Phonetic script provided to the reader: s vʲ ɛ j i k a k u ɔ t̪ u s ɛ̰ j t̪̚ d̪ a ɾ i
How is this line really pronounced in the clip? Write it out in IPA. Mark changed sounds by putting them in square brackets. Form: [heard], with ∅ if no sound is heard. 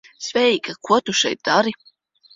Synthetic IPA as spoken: s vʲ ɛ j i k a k u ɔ t̪ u [ʃ] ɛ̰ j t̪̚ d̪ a ɾ i